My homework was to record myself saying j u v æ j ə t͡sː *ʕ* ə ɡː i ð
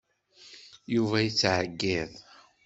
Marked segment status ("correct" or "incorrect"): correct